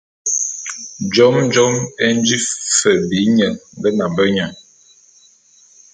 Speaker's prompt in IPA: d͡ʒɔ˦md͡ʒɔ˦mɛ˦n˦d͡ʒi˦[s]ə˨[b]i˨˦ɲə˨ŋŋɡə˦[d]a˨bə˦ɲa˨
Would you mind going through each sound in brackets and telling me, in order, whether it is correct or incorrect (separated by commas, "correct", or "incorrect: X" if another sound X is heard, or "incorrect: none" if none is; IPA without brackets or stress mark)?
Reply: incorrect: f, correct, incorrect: n